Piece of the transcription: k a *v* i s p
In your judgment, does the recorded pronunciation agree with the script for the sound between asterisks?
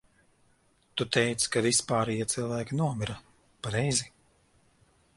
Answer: yes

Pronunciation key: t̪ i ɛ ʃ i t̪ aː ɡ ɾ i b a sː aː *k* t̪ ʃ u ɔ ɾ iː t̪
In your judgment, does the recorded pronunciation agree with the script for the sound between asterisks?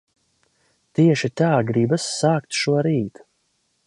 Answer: yes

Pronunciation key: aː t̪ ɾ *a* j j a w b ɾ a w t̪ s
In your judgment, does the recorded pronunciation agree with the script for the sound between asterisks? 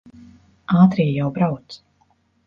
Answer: no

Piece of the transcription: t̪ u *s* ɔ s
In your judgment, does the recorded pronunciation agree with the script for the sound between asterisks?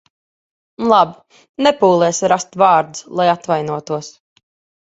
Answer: no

